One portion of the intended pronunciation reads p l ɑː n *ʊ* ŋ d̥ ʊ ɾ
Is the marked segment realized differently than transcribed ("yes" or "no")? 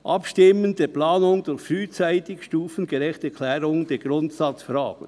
no